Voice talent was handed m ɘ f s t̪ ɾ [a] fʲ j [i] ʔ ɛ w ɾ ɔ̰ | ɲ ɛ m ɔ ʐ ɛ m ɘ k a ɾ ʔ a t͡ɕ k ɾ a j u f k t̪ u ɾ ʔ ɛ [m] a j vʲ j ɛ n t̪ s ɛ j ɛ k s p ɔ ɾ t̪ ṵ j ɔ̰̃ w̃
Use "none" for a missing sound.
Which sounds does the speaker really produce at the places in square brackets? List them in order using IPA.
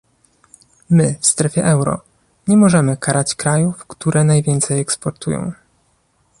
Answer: ɛ, ɛ, n

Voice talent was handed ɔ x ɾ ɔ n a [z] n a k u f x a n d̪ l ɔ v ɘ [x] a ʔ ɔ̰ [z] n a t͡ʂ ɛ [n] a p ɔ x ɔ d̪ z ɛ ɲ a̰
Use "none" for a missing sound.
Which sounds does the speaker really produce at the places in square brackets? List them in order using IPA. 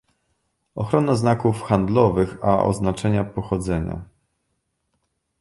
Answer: z, x, z, ɲ

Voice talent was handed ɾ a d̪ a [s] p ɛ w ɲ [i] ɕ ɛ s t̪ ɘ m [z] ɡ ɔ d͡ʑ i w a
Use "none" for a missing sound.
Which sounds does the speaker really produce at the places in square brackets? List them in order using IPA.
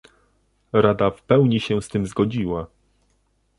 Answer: f, i, z

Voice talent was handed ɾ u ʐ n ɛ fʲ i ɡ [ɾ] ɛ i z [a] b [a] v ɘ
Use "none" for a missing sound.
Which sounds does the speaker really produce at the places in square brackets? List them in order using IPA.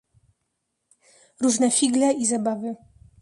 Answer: l, a, a

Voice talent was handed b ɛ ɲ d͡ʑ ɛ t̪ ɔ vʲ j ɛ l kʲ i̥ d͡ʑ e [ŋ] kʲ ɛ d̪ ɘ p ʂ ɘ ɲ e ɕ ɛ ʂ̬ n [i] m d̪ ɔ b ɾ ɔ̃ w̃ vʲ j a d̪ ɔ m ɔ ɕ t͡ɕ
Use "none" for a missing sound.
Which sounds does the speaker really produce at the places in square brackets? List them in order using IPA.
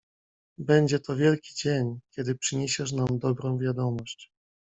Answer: ɲ, a

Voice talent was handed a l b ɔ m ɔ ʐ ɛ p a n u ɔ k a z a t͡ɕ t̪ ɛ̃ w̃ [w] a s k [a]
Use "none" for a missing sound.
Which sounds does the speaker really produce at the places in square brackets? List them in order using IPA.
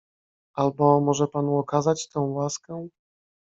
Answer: w, ɛ

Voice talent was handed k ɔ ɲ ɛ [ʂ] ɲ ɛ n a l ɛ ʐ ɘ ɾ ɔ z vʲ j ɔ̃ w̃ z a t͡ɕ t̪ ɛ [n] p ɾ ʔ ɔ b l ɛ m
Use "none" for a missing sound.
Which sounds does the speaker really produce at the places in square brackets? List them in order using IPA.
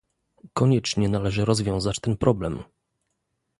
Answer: t͡ʂ, n

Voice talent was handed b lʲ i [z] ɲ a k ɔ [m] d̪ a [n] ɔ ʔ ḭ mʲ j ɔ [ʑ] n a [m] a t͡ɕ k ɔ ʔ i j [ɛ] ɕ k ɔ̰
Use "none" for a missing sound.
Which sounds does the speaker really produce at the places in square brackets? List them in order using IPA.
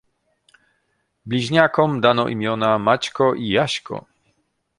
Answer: ʑ, m, n, none, m, a

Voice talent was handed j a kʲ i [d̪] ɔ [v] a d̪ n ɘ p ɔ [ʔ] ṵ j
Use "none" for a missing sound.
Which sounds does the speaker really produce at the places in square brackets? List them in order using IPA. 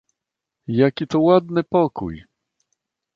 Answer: t̪, w, k

